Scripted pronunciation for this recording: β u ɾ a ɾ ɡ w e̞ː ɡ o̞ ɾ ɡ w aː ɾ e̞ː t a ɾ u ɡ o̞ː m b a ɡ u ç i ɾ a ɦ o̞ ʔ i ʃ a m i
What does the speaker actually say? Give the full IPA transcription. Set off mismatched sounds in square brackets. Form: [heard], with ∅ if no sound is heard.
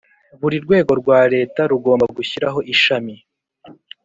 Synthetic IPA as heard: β u ɾ [i] ɾ ɡ w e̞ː ɡ o̞ ɾ ɡ w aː ɾ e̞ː t a ɾ u ɡ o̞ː m b a ɡ u ç i ɾ a ɦ o̞ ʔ i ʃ a m i